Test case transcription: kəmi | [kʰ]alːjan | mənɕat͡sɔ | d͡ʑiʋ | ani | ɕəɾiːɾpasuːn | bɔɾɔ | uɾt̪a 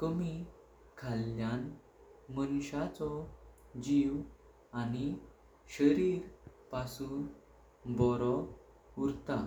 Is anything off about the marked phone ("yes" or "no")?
no